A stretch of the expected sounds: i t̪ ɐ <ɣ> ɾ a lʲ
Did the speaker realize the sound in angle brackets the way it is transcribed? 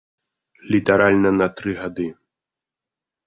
no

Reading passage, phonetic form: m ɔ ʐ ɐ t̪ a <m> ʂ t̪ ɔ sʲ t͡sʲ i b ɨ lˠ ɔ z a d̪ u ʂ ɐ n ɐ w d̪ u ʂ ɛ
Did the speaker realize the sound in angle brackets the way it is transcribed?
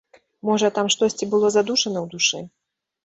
yes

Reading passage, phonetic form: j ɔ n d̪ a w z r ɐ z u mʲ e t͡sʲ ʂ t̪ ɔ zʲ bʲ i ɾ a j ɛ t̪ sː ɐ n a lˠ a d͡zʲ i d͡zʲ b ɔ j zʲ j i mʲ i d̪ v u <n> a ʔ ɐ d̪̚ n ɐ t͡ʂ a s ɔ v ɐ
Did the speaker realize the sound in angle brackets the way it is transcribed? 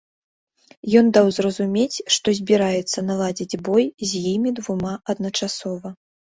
no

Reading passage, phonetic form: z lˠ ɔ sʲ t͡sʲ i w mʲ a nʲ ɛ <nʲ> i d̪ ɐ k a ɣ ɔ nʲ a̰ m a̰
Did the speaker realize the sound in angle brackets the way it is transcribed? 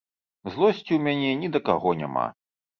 yes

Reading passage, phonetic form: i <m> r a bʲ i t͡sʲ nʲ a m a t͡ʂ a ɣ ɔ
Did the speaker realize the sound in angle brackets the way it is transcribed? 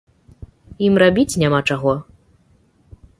yes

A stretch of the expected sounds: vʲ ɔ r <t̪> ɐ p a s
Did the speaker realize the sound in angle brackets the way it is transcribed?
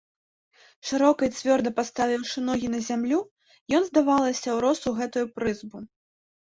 no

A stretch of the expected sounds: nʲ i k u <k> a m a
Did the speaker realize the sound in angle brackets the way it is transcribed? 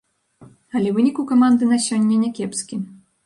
yes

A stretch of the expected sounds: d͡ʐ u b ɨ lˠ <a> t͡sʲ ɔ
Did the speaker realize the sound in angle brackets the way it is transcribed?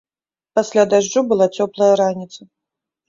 yes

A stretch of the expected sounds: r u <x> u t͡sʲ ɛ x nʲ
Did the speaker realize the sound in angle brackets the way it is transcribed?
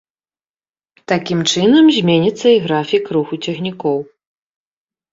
yes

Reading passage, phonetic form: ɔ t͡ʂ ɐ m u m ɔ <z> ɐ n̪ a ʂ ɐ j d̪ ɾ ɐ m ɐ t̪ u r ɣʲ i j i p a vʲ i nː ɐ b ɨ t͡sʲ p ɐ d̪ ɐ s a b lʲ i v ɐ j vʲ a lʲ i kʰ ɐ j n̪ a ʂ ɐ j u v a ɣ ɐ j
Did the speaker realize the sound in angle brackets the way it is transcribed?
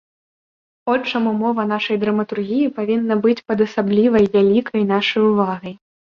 no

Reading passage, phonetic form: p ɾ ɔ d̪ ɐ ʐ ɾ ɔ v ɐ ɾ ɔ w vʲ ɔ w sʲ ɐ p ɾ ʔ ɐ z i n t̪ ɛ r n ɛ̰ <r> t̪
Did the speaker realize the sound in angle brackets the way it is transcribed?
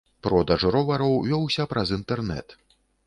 no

